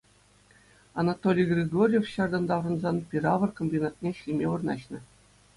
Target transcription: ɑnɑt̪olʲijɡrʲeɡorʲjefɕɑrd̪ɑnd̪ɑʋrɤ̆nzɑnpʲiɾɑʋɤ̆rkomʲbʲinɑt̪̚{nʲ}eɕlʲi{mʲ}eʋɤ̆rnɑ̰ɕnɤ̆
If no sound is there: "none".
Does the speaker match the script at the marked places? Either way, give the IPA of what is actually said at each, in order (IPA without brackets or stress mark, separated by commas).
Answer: nʲ, mʲ